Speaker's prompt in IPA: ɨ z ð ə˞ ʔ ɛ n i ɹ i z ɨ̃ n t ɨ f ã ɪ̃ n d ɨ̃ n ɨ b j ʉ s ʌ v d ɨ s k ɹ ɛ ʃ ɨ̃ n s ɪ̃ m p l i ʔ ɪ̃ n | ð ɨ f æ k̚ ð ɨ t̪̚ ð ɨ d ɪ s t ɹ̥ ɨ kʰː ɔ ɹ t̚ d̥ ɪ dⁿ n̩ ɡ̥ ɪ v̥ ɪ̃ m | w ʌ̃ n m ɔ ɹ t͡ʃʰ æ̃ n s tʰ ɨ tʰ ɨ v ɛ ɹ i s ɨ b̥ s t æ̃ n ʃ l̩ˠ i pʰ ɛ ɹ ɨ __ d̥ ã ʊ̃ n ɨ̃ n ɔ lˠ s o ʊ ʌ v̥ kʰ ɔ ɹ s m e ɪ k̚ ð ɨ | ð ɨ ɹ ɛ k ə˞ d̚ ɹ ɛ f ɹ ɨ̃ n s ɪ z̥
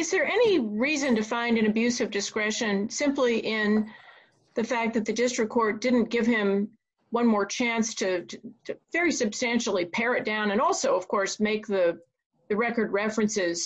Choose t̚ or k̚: t̚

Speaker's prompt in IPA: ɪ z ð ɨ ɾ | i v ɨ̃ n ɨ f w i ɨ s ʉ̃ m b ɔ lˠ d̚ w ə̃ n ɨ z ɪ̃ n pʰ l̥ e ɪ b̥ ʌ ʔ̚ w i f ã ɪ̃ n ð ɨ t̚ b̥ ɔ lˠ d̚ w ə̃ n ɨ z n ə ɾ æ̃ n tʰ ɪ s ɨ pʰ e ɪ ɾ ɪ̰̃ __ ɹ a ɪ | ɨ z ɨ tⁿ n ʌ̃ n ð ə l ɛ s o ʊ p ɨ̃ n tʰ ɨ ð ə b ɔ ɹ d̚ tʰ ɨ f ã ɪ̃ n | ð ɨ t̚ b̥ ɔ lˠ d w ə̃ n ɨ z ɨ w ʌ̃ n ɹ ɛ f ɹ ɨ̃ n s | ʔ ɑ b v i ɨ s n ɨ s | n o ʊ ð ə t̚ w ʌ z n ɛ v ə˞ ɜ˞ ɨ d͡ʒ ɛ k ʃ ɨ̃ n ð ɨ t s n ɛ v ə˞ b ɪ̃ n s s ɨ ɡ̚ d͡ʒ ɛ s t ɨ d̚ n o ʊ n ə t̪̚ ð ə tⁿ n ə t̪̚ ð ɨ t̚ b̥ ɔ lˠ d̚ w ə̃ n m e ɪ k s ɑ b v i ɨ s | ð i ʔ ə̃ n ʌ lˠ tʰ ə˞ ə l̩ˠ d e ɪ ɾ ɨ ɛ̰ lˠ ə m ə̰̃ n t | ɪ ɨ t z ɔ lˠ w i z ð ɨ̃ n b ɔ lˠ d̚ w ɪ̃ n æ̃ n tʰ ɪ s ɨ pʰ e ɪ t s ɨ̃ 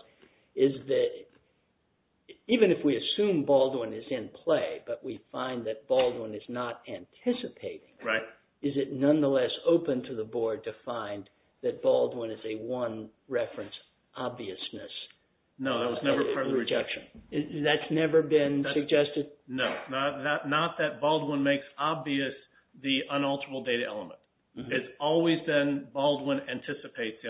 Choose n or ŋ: ŋ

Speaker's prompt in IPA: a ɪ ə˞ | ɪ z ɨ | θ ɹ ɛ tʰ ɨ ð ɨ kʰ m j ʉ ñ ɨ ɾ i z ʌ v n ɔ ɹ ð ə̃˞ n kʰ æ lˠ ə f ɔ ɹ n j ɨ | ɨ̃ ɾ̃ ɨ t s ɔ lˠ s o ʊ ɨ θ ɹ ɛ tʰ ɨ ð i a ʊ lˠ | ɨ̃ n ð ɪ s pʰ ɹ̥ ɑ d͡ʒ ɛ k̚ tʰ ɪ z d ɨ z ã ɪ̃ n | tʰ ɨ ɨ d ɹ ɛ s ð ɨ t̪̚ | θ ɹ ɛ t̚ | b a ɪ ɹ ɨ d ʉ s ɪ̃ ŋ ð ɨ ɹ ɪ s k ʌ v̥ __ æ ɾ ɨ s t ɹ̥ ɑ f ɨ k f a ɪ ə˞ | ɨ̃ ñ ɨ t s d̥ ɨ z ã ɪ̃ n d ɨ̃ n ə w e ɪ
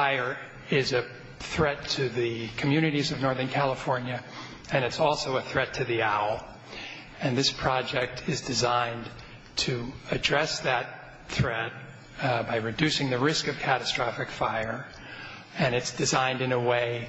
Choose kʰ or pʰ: kʰ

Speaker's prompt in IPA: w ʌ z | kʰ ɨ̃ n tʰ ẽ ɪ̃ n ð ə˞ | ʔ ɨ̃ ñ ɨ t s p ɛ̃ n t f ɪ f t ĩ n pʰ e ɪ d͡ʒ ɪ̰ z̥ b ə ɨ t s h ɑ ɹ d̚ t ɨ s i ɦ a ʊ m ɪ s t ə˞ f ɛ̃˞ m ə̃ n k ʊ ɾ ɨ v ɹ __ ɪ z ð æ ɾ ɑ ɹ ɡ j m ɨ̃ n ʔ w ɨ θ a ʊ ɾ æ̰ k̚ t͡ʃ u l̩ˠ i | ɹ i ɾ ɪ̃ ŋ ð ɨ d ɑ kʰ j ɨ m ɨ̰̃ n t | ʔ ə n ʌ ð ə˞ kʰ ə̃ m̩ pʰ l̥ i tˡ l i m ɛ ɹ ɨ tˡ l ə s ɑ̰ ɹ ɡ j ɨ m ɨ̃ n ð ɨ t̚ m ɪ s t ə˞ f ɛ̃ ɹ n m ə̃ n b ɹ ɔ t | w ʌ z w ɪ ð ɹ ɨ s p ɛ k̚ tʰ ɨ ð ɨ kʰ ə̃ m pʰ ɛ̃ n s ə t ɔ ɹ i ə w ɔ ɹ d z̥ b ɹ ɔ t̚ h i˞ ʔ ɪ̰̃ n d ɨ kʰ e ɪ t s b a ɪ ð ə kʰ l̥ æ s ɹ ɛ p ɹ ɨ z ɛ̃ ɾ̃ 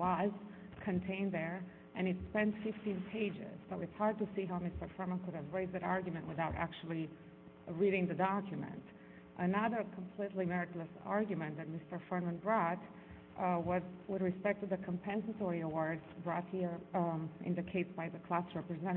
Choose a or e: e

